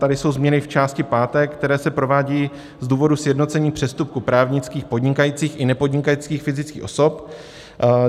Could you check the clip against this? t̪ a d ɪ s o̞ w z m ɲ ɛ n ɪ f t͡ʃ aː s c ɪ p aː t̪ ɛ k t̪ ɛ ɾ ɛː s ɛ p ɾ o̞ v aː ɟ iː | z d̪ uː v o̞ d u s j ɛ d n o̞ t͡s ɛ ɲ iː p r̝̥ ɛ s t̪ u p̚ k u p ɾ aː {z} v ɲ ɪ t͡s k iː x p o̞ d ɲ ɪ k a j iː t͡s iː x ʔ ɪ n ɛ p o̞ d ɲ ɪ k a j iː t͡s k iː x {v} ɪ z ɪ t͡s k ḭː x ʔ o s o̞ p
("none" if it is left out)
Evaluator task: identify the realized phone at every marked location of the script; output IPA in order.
none, f

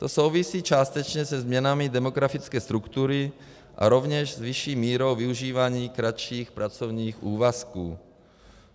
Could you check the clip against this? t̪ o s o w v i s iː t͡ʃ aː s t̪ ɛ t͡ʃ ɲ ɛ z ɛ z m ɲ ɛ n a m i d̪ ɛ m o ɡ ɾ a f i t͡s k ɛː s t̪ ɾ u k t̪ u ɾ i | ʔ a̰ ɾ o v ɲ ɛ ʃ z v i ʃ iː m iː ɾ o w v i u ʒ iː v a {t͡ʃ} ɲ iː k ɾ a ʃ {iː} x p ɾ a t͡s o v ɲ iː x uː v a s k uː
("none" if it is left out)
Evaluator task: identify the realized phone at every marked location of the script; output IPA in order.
none, iː

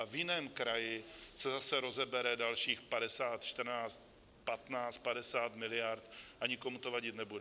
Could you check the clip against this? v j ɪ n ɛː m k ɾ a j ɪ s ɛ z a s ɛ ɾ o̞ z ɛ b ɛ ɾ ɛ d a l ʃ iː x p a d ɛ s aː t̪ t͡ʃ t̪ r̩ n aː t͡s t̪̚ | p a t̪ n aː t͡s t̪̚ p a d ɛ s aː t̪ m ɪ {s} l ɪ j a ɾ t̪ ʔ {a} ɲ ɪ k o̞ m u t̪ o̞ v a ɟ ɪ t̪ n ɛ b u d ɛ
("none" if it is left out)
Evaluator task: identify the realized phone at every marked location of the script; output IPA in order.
none, a

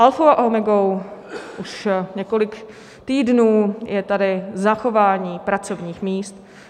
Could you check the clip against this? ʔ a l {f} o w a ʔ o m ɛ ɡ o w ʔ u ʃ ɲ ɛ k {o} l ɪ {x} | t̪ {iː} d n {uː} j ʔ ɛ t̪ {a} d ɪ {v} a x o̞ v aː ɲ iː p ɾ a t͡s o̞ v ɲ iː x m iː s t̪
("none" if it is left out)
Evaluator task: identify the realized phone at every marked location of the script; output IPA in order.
f, o, k, iː, uː, a, z

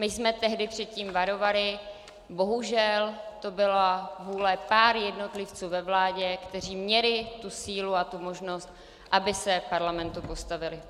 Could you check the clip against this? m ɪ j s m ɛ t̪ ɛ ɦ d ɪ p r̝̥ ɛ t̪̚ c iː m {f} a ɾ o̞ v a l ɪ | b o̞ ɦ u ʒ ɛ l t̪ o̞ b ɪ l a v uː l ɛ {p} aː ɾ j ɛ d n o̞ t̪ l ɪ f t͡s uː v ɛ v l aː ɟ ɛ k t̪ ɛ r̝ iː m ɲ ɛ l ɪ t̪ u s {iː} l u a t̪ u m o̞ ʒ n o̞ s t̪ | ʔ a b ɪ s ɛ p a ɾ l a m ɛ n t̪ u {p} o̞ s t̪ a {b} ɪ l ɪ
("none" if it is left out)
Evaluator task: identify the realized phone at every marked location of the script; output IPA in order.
v, p, iː, p, v

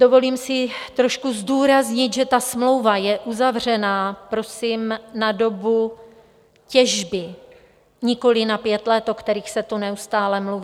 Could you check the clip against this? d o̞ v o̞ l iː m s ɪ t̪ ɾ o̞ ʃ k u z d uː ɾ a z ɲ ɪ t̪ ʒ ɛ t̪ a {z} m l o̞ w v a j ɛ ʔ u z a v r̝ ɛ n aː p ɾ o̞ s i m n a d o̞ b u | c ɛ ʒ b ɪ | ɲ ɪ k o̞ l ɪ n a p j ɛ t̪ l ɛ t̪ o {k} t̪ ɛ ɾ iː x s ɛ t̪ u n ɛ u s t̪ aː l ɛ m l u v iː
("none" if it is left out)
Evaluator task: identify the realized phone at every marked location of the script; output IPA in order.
s, k

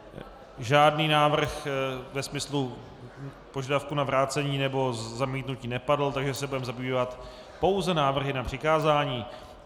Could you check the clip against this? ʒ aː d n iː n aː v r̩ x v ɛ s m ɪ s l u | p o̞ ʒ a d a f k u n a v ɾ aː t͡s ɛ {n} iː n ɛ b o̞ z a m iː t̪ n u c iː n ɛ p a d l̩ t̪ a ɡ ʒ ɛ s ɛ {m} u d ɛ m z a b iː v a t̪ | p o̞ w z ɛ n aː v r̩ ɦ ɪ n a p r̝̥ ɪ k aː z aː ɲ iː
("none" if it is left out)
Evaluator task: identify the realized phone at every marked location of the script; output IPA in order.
ɲ, b

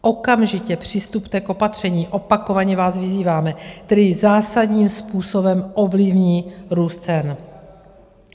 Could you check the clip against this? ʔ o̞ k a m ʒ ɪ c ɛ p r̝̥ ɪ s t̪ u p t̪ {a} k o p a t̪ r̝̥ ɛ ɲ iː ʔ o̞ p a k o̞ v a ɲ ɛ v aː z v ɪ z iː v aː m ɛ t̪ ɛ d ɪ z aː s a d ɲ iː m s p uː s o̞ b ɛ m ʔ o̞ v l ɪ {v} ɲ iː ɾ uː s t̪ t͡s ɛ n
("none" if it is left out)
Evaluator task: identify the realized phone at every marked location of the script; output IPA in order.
ɛ, v

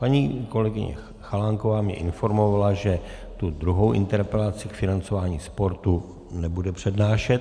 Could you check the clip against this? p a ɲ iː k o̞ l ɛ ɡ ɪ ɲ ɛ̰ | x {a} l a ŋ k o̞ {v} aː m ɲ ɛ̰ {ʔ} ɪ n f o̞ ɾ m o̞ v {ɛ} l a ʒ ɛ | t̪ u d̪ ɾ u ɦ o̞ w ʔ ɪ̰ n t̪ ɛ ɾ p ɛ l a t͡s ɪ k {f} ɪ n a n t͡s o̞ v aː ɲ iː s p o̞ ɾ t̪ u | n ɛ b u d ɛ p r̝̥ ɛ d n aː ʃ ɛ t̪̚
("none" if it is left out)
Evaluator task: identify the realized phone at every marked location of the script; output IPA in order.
a, v, ʔ, a, f

